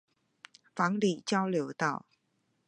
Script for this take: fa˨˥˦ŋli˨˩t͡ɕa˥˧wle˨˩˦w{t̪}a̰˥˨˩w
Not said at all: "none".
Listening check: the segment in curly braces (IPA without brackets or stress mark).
t̪